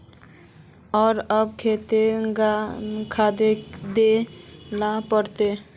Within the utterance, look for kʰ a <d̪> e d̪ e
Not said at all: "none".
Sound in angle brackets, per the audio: d̪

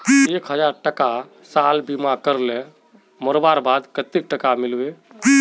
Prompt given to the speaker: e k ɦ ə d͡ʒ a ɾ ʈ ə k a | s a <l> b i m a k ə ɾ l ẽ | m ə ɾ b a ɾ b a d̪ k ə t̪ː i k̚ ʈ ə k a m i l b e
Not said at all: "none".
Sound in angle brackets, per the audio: l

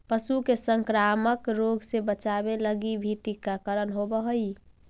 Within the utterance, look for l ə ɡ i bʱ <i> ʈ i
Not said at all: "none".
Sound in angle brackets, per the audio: i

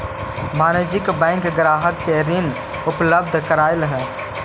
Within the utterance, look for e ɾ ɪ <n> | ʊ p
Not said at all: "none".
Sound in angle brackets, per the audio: n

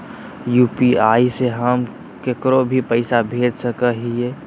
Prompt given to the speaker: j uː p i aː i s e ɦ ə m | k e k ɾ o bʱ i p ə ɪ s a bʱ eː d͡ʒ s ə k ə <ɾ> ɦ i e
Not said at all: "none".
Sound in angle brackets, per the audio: none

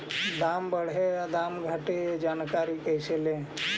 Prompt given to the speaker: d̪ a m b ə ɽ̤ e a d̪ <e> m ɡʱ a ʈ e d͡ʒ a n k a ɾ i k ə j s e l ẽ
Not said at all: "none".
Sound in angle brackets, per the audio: a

